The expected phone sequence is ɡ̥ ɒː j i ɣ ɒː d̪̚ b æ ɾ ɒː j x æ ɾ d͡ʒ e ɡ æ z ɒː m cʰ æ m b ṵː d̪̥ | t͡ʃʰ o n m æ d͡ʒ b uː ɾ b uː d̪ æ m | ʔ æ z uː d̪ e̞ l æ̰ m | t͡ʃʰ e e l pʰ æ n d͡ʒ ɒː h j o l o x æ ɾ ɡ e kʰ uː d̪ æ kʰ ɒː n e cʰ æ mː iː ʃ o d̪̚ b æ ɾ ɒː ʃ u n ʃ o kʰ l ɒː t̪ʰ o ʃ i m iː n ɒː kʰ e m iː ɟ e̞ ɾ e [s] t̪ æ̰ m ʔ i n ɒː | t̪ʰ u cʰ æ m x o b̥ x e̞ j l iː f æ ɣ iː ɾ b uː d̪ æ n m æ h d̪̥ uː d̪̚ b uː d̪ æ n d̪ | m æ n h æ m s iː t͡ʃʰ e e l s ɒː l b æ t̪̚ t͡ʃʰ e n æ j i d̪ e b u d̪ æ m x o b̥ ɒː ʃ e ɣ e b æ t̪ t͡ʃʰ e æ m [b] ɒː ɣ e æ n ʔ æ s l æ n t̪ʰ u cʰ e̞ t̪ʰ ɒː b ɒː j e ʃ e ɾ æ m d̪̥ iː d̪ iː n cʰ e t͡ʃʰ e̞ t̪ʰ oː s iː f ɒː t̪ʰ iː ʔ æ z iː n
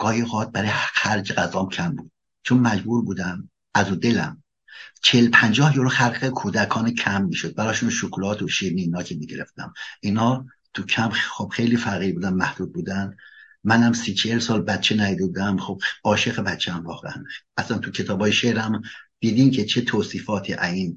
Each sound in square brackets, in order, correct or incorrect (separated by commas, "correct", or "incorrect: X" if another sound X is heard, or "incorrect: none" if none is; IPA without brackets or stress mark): incorrect: f, incorrect: v